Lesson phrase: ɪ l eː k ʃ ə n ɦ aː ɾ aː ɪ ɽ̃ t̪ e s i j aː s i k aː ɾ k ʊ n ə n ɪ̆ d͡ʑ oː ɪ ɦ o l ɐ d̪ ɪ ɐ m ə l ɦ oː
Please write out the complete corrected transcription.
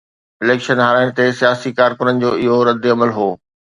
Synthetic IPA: ɪ l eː k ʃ ə n ɦ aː ɾ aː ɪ ɽ̃ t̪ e s i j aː s i k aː ɾ k ʊ n ə n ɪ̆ d͡ʑ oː ɪ ɦ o ɾ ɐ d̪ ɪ ɐ m ə l ɦ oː